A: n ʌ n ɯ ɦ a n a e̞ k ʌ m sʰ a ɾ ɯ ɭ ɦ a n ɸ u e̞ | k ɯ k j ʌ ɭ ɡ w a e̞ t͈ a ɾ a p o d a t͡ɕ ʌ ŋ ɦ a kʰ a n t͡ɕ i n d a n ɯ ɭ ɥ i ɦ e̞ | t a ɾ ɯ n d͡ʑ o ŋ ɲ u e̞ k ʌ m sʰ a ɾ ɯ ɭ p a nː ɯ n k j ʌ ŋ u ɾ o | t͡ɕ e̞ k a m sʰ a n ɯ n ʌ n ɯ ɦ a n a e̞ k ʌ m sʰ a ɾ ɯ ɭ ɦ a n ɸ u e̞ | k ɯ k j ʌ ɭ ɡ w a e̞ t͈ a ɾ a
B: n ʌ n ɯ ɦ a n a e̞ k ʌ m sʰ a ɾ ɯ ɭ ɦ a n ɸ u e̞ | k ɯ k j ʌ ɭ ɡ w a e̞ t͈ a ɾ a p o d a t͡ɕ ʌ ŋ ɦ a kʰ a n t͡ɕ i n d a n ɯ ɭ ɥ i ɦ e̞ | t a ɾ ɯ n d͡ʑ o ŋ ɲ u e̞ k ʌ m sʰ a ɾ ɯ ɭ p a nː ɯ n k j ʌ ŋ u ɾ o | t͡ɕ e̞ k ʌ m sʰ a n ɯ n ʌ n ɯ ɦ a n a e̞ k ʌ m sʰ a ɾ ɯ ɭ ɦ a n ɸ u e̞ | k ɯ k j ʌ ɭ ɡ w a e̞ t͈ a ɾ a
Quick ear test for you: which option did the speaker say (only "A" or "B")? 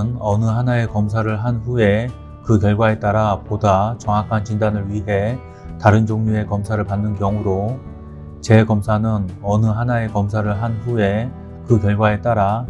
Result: B